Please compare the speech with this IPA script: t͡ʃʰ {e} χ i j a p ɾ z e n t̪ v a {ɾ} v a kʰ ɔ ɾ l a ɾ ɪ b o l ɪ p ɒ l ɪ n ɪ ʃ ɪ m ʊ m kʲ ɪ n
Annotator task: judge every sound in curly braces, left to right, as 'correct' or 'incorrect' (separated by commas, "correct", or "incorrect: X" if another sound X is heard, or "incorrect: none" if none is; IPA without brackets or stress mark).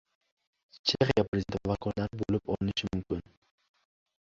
correct, incorrect: none